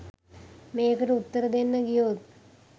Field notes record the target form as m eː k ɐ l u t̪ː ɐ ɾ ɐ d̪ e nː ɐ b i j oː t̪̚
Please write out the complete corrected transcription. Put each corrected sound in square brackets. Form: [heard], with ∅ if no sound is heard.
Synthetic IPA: m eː k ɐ [ɾ] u t̪ː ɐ ɾ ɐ d̪ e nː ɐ [ɡ] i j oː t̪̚